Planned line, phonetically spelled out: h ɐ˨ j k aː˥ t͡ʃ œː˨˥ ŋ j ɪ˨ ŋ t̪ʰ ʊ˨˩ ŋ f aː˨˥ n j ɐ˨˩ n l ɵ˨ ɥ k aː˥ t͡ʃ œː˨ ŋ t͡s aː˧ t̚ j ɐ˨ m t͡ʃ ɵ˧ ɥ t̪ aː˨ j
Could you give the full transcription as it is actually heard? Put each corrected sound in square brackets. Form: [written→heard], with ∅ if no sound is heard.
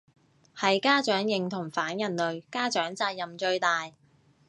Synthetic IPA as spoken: h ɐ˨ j k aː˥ t͡ʃ œː˨˥ ŋ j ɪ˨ ŋ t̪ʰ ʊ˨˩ ŋ f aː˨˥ n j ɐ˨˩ n l ɵ˨ ɥ k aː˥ t͡ʃ [œː˨→œː˨˥] ŋ t͡s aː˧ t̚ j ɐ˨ m t͡ʃ ɵ˧ ɥ t̪ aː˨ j